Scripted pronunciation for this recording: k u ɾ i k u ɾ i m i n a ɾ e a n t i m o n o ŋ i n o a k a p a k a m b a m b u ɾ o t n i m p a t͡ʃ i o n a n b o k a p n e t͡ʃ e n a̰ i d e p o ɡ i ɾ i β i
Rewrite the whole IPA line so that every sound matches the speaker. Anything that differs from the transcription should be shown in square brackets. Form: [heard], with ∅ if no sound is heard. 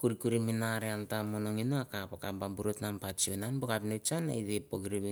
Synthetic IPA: k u ɾ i k u ɾ i m i n a ɾ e a n t [a] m o n o ŋ i n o a k a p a k a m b a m b u ɾ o t n [a] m p a t͡ʃ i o n a n b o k a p n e t͡ʃ [a] n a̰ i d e p o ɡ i ɾ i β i